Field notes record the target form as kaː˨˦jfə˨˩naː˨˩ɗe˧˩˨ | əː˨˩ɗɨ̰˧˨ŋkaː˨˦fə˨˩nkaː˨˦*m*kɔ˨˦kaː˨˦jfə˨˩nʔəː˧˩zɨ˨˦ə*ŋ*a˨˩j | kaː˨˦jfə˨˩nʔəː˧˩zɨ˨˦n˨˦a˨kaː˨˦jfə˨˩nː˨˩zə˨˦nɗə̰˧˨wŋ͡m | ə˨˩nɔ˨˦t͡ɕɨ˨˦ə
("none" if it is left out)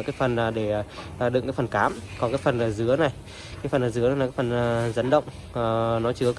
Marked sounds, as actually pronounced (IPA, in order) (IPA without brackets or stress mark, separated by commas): m, n